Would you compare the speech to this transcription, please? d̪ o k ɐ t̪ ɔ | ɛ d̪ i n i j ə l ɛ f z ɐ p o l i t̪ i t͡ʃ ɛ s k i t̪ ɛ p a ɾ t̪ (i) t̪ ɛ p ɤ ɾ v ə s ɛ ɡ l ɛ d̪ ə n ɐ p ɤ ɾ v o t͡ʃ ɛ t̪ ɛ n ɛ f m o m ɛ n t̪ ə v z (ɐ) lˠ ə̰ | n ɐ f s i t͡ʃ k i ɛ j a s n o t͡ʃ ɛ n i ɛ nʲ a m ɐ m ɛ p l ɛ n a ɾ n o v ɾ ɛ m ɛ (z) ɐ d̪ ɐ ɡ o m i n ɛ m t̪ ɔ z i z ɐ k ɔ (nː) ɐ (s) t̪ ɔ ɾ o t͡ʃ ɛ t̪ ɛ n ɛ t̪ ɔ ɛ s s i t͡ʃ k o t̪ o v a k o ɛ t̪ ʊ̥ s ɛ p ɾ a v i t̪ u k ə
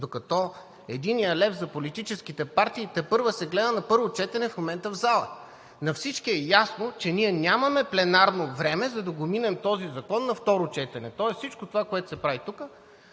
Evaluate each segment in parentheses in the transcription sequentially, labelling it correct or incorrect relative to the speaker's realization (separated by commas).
incorrect, incorrect, correct, correct, incorrect